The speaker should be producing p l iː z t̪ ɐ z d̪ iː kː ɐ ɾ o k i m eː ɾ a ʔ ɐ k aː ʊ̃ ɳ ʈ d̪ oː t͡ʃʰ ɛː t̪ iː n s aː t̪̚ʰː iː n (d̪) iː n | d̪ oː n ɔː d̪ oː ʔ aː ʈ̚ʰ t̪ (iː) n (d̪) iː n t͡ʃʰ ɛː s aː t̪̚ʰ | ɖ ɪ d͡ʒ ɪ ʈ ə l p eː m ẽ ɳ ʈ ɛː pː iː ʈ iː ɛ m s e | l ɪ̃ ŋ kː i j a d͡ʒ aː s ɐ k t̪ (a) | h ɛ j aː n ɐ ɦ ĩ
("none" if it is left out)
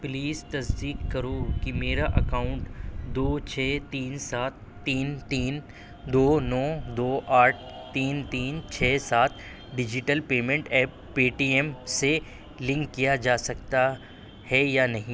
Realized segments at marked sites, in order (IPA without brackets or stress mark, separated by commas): t̪, iː, t̪, a